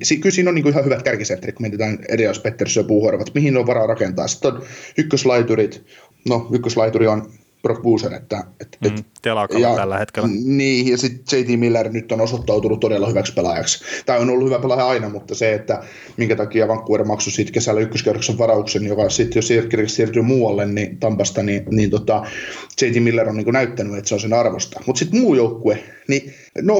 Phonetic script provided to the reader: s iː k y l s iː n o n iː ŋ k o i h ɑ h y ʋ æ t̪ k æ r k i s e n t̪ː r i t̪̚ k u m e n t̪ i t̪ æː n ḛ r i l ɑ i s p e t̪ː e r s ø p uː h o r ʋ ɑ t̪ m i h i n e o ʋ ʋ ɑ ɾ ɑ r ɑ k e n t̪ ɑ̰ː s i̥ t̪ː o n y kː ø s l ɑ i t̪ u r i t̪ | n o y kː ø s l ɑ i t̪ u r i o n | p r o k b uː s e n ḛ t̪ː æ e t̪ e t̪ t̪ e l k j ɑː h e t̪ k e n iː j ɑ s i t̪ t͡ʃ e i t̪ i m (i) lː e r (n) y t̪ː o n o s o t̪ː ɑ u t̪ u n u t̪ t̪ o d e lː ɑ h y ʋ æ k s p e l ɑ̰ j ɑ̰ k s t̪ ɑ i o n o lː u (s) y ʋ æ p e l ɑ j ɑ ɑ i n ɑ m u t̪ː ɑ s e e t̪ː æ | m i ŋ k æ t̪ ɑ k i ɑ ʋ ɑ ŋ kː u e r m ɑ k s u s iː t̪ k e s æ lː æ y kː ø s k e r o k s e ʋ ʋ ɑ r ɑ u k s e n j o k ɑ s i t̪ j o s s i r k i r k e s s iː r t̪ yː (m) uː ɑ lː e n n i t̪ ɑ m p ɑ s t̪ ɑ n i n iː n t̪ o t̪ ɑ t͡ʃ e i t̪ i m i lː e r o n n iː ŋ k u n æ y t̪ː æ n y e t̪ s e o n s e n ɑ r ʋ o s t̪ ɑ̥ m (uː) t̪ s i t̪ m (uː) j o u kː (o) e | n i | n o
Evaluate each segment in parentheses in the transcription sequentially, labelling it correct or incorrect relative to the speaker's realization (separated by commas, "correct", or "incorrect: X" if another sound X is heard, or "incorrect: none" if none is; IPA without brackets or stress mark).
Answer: correct, correct, incorrect: h, correct, incorrect: u, correct, incorrect: u